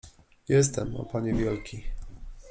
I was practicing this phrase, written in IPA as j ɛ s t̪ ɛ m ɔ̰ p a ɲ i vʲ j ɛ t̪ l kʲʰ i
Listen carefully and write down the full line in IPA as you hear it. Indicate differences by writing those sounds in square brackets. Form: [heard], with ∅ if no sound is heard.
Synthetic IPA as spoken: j ɛ s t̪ ɛ m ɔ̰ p a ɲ [ɛ] vʲ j ɛ [∅] l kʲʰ i